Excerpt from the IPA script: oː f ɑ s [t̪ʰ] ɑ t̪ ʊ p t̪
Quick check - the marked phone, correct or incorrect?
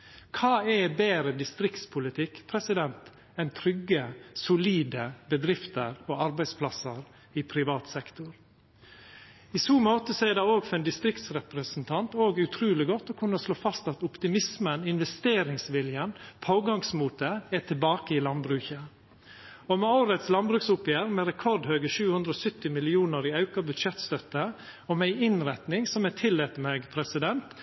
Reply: incorrect